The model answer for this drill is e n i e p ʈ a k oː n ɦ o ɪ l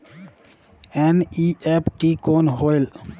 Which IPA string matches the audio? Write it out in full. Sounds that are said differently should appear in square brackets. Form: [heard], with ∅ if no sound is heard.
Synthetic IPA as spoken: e n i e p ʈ [i] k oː n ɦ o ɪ l